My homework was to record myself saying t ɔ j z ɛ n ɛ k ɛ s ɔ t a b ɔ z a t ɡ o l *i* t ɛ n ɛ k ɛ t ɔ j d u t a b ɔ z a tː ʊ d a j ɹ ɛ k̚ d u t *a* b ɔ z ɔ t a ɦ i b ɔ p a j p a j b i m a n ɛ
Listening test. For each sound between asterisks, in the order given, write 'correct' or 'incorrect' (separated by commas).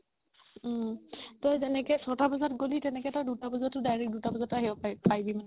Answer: correct, correct